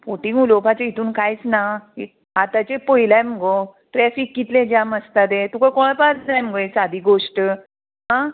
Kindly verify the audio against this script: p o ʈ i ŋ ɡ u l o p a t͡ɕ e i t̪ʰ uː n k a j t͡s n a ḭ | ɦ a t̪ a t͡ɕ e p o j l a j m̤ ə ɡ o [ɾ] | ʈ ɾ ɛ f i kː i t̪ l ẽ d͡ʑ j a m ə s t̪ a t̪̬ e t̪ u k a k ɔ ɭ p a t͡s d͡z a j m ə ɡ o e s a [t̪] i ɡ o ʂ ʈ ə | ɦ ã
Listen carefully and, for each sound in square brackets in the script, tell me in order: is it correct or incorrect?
incorrect: none, incorrect: d̪

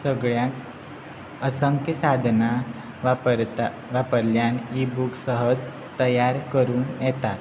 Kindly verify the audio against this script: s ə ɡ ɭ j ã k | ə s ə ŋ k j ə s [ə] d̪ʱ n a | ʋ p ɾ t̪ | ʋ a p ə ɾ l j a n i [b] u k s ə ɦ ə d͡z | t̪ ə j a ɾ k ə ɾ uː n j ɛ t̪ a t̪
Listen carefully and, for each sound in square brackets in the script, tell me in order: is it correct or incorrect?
incorrect: a, correct

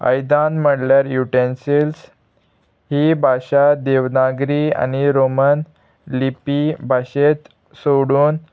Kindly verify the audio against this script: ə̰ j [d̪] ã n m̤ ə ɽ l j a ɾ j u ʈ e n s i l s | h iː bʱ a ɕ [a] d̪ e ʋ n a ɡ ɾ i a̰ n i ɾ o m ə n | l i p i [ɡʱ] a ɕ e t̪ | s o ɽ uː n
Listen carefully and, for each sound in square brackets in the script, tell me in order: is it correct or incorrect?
correct, correct, incorrect: bʱ

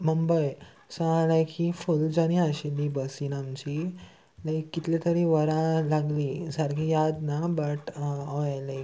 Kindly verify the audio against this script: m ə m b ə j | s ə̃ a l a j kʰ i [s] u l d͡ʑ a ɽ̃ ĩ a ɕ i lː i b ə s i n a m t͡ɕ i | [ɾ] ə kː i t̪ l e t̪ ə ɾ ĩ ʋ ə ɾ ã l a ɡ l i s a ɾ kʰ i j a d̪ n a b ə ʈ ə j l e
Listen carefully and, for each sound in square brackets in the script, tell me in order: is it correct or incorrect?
incorrect: f, incorrect: l

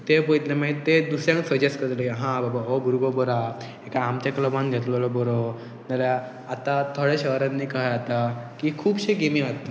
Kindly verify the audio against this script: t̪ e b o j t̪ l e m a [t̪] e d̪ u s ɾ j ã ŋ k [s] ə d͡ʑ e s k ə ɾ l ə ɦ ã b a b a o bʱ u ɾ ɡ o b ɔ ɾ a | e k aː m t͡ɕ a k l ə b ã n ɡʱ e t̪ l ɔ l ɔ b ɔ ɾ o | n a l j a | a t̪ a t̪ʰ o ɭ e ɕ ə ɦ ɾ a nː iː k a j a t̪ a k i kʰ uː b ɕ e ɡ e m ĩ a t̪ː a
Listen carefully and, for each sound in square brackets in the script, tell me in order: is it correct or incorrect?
correct, correct

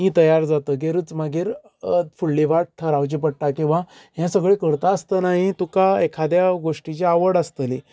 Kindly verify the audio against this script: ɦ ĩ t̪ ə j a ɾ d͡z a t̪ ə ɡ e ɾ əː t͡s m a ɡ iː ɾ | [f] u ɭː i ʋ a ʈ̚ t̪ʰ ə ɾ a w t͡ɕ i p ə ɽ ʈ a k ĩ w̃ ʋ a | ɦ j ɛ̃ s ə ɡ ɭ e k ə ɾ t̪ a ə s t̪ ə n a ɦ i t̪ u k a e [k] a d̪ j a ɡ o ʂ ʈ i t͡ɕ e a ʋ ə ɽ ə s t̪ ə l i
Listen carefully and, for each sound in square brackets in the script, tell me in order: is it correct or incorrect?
correct, incorrect: kʰ

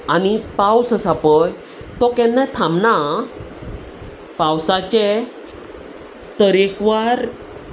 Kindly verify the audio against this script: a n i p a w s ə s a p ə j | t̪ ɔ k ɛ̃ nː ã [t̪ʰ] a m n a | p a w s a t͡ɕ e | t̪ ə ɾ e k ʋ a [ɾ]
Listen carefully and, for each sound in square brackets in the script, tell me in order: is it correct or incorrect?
correct, correct

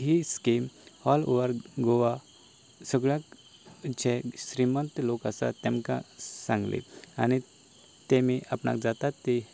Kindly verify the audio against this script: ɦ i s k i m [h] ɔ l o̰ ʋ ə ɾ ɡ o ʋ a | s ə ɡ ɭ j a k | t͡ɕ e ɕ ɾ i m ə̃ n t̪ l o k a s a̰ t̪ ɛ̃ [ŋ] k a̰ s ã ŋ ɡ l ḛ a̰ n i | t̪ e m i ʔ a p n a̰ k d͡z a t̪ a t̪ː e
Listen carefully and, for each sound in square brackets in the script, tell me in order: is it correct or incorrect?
correct, incorrect: m

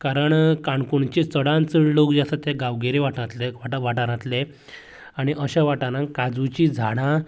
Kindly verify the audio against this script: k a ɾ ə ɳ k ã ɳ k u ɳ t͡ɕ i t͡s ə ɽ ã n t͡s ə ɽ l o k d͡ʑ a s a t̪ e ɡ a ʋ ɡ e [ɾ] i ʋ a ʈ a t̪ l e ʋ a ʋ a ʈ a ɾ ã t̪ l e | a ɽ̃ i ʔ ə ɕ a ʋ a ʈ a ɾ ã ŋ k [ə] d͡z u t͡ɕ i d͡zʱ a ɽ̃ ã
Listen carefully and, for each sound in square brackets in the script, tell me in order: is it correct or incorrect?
correct, incorrect: a

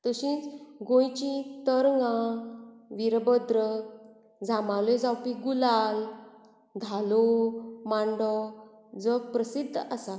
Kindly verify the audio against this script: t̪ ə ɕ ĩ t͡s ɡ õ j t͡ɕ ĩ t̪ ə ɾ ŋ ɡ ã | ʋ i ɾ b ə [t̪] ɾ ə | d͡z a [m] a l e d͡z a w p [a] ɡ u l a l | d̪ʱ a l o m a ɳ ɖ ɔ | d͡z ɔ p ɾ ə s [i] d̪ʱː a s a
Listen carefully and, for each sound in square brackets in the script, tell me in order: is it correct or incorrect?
incorrect: d̪, correct, incorrect: i, correct

